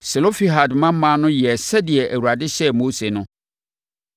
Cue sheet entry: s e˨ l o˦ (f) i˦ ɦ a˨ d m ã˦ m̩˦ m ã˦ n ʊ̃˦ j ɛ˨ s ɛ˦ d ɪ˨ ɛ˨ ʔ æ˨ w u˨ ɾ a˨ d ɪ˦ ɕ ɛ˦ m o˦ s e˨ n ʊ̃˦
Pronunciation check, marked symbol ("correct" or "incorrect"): correct